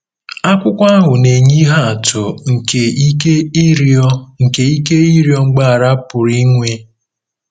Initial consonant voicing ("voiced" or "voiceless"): voiceless